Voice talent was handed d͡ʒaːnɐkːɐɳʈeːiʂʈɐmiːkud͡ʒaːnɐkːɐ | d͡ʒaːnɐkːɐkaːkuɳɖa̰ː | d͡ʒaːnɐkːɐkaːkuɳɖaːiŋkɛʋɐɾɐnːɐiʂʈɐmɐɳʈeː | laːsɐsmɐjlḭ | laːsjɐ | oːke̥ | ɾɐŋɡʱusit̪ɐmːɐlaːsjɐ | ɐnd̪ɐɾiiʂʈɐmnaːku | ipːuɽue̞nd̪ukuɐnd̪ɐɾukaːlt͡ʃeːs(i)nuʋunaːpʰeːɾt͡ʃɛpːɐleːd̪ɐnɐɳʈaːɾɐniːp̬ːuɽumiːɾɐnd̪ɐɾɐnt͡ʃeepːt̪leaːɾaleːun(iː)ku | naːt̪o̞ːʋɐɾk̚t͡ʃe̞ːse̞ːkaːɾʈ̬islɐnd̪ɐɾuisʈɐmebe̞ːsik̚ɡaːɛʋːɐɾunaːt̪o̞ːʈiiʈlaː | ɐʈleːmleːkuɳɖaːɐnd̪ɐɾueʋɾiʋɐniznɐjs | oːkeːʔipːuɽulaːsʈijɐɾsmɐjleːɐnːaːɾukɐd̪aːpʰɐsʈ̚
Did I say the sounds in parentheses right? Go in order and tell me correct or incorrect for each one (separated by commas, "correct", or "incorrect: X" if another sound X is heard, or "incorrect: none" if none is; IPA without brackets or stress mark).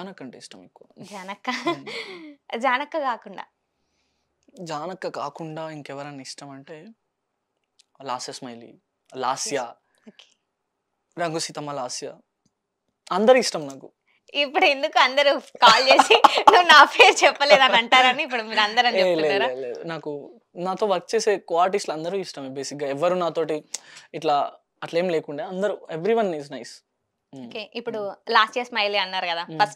correct, incorrect: aː